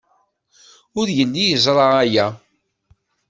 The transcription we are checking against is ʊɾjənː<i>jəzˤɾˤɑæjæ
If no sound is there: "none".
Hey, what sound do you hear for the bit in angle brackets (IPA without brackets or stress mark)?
i